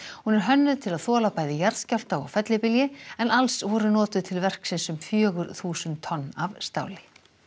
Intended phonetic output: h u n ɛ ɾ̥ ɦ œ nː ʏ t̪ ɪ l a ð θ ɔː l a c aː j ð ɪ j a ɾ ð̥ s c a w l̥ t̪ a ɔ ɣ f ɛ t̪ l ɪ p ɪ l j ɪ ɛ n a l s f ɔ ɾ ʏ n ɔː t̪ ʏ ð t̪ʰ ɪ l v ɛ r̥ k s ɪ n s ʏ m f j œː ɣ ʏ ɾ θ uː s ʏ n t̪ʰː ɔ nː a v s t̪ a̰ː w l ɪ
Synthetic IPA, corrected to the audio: h u n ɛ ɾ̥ ɦ œ nː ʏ t̪ʰ ɪ l a ð θ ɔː l a p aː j ð ɪ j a ɾ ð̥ s c a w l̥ t̪ a ɔ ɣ f ɛ t̪ l ɪ p ɪ l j ɪ ɛ n a l s v ɔ ɾ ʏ n ɔː t̪ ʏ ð t̪ʰ ɪ l v ɛ r̥ k s ɪ n s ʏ m f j œː ɣ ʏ ɾ θ uː s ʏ n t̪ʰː ɔ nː a v s t̪ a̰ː w l ɪ